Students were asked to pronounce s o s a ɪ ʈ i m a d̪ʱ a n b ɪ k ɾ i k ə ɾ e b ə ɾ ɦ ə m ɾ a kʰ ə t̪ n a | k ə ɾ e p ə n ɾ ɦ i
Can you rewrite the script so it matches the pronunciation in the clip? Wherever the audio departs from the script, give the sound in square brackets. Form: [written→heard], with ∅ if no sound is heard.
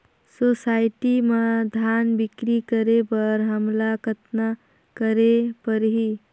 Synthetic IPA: s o s a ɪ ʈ i m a d̪ʱ a n b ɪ k ɾ i k ə ɾ e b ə ɾ ɦ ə m [ɾ→l] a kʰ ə t̪ n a | k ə ɾ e p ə [n→∅] ɾ ɦ i